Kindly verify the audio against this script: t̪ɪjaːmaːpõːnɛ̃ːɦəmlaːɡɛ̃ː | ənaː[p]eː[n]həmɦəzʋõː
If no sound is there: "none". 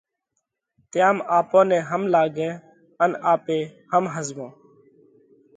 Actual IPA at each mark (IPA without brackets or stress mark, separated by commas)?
p, none